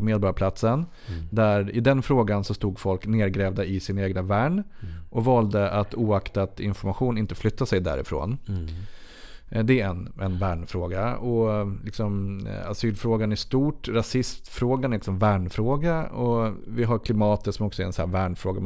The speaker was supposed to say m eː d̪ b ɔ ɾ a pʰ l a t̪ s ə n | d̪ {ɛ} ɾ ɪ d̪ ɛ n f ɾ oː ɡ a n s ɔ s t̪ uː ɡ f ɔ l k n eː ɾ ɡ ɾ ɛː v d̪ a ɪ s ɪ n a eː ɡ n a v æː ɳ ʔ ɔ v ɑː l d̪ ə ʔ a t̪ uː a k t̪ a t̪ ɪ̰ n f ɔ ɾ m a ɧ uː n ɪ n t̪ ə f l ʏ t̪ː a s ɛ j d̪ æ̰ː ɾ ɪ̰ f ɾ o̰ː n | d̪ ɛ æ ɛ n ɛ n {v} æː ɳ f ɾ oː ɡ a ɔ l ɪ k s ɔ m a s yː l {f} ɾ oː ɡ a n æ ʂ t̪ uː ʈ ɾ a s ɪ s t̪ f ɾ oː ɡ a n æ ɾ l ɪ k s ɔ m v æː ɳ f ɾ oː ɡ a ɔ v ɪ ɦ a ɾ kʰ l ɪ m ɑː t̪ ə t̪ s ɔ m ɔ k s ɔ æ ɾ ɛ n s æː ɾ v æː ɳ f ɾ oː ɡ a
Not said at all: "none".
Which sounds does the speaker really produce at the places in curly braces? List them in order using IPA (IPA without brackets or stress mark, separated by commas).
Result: æ, v, f